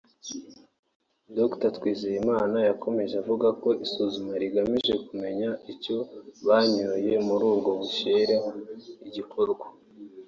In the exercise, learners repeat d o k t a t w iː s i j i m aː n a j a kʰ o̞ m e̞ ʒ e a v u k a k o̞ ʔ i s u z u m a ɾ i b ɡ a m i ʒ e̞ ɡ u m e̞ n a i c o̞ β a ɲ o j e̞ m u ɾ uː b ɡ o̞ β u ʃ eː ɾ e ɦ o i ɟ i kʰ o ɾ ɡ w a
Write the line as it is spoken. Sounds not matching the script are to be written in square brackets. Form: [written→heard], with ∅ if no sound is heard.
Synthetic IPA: d o k t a t w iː [s→z] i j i m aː n a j a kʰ o̞ m e̞ ʒ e a v u [k→ɡ] a k o̞ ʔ i s u z u m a ɾ i [b→∅] ɡ a m i ʒ e̞ [ɡ→k] u m e̞ [n→ɲ] a i c o̞ β a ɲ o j e̞ m u ɾ uː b ɡ o̞ β u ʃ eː ɾ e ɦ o i ɟ i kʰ o ɾ ɡ w a